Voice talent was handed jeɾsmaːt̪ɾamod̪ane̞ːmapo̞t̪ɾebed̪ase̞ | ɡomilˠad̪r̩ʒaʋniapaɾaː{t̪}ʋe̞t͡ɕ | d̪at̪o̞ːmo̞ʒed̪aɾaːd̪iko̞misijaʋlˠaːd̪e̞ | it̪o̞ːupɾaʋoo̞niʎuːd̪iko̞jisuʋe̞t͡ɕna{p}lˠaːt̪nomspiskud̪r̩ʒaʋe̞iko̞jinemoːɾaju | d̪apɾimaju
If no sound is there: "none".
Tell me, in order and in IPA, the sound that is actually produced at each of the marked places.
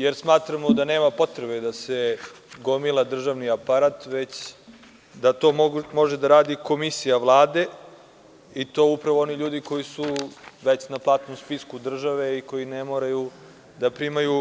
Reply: t̪, p

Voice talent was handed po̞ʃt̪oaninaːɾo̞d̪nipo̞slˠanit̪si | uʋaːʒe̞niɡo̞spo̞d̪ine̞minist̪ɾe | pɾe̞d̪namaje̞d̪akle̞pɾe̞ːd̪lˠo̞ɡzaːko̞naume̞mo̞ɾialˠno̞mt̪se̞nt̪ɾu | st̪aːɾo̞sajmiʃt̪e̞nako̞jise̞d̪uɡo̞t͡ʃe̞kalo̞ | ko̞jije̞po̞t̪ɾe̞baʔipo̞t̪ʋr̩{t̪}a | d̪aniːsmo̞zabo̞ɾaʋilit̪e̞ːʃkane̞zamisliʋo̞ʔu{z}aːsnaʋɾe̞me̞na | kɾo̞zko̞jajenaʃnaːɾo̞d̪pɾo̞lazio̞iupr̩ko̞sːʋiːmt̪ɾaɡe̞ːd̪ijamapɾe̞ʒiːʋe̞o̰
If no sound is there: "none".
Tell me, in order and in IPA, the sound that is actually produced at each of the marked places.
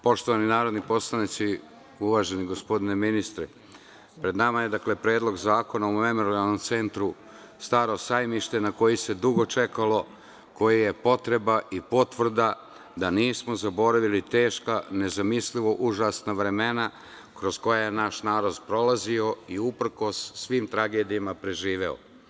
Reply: d̪, ʒ

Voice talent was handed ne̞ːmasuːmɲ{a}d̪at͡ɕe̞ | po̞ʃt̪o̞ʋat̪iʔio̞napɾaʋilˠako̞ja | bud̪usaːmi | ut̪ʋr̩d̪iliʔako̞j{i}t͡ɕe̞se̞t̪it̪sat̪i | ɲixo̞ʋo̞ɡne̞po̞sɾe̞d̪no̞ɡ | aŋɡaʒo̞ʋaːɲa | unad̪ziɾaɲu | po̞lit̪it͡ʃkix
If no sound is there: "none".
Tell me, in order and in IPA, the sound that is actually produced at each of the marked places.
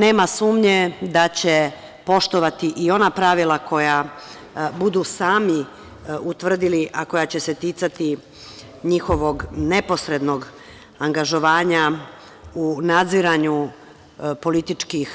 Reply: e, a

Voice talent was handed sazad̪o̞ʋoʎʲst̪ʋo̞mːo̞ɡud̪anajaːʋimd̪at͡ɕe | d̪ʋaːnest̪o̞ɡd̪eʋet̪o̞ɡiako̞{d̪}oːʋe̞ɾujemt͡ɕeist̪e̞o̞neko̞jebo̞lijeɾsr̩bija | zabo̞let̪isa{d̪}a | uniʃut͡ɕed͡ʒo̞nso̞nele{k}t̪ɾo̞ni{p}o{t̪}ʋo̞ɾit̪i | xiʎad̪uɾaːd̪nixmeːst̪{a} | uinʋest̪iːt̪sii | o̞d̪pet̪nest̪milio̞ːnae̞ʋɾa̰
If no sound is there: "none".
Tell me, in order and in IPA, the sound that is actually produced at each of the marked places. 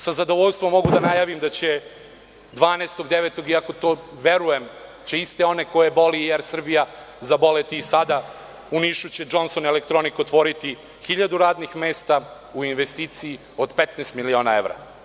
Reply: t̪, d̪, k, k, t̪, a

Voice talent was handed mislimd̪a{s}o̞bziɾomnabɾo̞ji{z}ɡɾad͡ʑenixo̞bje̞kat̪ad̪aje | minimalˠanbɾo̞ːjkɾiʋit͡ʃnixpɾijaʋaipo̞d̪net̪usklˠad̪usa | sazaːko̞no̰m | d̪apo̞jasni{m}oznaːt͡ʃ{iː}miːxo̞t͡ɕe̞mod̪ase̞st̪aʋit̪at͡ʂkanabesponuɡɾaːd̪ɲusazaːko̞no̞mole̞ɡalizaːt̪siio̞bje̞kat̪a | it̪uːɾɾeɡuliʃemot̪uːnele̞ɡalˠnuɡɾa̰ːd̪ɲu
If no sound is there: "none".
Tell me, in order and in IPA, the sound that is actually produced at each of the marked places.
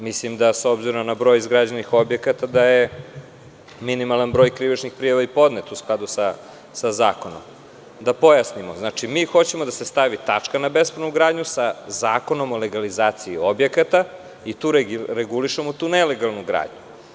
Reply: s, z, m, i

